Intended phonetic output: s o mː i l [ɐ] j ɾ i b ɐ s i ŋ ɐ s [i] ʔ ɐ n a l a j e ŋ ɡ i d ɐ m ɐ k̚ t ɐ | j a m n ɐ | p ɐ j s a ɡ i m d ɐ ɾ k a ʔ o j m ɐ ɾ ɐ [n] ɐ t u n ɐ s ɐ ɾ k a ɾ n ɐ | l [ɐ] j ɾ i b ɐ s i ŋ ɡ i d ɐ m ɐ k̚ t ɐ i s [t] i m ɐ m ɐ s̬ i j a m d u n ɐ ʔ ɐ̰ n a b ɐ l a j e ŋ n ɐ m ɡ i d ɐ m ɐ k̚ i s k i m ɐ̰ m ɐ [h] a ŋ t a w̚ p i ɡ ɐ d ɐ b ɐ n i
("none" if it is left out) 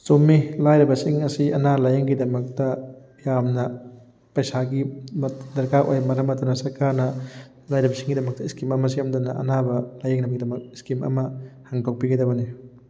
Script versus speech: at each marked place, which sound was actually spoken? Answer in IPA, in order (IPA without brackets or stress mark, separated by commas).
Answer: a, i, m, a, k, h